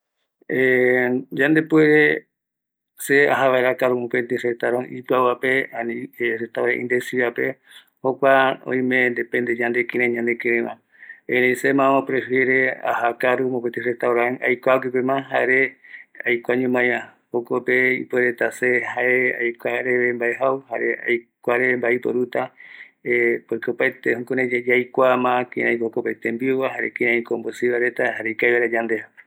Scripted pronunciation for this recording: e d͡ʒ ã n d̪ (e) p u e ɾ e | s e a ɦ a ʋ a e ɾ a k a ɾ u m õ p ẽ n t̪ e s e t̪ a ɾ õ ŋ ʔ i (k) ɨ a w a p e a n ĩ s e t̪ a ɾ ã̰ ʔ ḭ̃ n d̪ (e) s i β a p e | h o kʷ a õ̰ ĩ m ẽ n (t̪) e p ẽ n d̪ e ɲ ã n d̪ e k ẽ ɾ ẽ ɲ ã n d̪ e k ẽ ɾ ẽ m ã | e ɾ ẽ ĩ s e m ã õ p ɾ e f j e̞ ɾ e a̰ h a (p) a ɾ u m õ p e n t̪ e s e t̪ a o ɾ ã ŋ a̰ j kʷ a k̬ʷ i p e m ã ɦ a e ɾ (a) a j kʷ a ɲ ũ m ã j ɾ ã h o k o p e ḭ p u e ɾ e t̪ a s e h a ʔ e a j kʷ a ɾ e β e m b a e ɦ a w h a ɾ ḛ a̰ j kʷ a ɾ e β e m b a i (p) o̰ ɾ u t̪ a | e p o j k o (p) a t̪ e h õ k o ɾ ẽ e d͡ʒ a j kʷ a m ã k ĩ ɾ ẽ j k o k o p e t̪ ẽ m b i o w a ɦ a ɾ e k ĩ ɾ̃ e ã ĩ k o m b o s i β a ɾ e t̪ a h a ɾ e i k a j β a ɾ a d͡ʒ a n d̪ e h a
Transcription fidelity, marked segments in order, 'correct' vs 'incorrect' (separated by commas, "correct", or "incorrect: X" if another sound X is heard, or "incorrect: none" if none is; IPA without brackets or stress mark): correct, incorrect: p, correct, incorrect: d̪, incorrect: k, incorrect: e, correct, correct